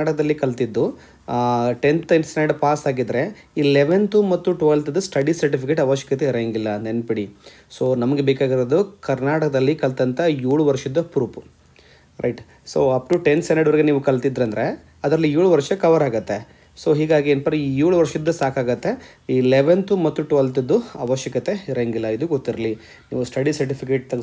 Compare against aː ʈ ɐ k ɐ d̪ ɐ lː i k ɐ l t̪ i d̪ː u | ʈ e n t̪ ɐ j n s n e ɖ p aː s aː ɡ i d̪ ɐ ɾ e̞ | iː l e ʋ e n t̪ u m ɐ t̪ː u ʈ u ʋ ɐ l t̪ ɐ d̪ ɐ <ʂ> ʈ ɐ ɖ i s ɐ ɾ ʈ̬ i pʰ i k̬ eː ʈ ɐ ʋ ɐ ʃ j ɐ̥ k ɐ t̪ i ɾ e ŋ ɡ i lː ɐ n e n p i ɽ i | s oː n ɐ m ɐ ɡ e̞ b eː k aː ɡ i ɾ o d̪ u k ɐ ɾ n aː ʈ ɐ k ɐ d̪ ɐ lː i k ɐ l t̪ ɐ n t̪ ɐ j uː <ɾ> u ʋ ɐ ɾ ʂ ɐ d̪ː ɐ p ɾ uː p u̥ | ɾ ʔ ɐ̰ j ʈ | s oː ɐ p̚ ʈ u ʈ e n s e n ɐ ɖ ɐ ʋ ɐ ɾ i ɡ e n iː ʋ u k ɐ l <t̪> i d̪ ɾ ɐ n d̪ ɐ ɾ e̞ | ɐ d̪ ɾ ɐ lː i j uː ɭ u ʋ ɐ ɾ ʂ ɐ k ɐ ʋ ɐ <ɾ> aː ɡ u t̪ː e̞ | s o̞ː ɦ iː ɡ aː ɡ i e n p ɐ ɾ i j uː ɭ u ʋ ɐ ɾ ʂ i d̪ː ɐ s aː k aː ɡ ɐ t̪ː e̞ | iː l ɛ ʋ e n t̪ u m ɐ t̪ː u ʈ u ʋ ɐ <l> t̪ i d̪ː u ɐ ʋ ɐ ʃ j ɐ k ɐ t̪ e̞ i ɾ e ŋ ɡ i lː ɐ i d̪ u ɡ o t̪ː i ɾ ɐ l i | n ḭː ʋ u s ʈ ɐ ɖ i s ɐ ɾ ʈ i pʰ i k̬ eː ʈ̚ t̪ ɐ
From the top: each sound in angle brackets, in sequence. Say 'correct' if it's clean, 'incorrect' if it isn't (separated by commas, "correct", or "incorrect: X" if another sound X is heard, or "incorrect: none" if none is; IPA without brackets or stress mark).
incorrect: s, incorrect: ɭ, correct, correct, correct